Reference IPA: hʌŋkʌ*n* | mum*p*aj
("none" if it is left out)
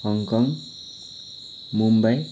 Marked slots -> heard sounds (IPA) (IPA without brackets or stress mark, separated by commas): ŋ, b